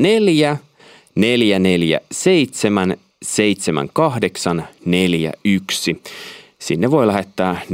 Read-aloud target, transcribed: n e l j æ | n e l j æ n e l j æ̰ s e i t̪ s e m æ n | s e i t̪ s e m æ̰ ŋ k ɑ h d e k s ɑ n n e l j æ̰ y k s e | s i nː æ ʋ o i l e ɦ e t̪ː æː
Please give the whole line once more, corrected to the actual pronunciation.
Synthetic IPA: n e l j æ | n e l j æ n e l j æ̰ s e i t̪ s e m æ n | s e i t̪ s e m æ̰ ŋ k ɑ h d e k s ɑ n n e l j æ̰ y k s i | s i nː e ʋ o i l æ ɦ e t̪ː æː